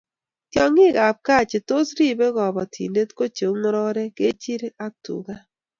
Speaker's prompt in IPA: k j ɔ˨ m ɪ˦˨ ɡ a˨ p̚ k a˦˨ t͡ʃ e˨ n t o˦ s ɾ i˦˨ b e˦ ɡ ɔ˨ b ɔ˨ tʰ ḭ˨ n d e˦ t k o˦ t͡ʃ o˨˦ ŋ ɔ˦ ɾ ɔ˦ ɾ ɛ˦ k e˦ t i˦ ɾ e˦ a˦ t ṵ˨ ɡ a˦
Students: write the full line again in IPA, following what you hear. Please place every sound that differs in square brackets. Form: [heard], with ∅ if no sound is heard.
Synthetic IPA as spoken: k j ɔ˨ [ŋ] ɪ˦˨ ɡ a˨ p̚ k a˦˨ t͡ʃ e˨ [∅] t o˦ s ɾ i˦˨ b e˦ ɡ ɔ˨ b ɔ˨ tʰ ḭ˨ n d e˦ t k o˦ t͡ʃ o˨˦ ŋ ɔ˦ ɾ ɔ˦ ɾ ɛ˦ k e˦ [t͡ʃ] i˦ ɾ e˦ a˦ t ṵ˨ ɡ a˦

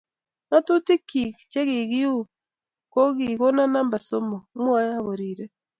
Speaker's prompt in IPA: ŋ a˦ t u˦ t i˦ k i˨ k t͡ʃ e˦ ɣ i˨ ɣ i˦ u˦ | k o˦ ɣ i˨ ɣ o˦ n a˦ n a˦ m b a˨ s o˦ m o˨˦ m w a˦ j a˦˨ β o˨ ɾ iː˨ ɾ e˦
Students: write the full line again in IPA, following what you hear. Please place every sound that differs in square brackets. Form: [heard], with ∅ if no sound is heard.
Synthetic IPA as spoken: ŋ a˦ t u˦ t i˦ k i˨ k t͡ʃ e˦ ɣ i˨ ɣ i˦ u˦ | k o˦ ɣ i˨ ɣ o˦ n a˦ n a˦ m b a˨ s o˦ m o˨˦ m w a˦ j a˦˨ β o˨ ɾ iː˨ ɾ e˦

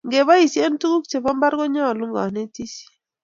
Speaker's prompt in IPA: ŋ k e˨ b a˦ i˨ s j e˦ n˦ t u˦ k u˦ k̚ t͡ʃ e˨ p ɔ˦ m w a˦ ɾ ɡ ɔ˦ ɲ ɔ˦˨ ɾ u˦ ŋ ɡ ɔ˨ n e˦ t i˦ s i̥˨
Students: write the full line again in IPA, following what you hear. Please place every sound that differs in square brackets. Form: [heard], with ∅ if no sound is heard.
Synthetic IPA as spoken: ŋ [ɡ] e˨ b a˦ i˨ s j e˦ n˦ t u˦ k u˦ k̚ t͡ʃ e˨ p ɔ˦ m [b] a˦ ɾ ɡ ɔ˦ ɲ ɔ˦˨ [l] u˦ ŋ ɡ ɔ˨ n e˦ t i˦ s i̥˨

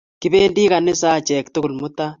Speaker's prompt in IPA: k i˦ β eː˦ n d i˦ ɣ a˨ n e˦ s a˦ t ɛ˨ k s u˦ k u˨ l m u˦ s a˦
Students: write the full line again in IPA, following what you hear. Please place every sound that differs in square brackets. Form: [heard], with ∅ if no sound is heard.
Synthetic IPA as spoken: k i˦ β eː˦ n d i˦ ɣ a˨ n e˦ s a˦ [t͡ʃ] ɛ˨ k [t] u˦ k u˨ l m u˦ [t] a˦

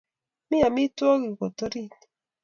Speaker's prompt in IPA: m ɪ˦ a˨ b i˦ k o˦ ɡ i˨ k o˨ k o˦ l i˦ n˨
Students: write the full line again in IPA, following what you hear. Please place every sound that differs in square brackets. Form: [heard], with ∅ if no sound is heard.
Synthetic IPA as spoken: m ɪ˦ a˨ [m] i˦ [t] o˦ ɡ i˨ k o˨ [t] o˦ [ɾ] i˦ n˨

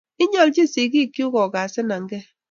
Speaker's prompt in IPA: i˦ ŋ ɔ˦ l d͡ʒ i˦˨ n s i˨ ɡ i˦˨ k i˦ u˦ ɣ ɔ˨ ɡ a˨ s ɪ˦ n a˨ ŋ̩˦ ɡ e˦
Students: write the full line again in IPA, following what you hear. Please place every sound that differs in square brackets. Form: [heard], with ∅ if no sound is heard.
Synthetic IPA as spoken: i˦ [ɲ] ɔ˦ l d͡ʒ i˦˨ [∅] s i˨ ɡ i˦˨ k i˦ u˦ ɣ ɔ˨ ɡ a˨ s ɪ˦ n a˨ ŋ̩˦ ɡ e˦

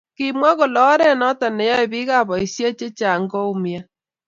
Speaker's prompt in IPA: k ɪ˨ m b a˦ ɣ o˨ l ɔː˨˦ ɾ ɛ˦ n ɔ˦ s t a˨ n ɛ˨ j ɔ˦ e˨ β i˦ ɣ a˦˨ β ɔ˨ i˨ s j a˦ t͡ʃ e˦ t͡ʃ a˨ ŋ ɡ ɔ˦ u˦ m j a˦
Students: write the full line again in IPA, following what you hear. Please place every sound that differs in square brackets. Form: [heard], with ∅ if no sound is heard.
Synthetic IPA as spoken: k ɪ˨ m [w] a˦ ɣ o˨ l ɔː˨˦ ɾ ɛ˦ n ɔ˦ [∅] t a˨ n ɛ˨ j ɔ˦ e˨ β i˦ ɣ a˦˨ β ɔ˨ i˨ s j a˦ t͡ʃ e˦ t͡ʃ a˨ ŋ ɡ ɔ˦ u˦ m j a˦

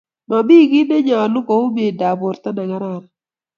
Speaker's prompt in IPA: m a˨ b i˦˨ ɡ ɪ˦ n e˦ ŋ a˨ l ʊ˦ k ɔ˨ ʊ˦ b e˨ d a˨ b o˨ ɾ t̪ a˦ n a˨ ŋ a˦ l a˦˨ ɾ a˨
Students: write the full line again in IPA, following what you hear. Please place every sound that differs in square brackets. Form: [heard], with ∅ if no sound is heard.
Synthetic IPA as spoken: m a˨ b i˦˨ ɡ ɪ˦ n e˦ [ɲ] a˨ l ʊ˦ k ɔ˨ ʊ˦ b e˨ d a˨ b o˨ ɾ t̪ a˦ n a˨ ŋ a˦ [ɾ] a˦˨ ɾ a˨

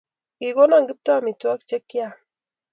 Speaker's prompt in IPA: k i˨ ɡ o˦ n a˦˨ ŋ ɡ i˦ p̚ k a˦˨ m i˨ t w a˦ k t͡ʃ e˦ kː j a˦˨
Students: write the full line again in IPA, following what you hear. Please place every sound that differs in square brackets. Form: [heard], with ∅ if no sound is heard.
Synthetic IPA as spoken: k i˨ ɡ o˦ n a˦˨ ŋ ɡ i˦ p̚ [t] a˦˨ m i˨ t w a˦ k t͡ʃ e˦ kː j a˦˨

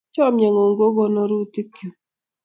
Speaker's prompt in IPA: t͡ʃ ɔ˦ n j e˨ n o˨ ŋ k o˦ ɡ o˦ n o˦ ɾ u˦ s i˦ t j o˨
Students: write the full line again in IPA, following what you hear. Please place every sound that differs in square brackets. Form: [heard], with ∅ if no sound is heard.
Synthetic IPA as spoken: t͡ʃ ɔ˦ [m] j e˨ [ŋ] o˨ ŋ [ɡ] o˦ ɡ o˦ n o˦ ɾ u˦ [t] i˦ [k] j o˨

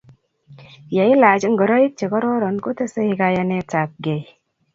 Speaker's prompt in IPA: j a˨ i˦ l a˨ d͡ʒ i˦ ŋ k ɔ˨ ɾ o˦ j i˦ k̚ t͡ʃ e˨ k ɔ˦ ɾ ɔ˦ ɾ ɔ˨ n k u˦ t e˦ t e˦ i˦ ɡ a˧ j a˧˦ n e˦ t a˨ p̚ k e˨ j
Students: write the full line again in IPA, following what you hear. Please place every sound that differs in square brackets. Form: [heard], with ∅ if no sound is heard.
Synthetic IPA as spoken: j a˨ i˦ l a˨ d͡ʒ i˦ ŋ [ɡ] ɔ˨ ɾ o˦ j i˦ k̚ t͡ʃ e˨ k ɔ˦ ɾ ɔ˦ ɾ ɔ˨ n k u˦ t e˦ [s] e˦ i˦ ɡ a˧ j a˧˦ n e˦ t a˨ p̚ [ɡ] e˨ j

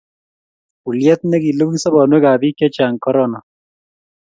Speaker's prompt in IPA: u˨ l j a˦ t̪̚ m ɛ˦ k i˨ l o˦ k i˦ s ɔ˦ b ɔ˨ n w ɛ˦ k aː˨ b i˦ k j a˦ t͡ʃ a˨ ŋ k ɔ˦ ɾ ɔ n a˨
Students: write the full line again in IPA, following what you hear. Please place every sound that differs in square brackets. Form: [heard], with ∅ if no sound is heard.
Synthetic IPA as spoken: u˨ l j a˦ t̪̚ [n] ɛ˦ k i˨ l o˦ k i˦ s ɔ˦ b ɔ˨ n w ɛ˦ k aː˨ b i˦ k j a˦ t͡ʃ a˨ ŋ k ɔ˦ ɾ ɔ n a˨

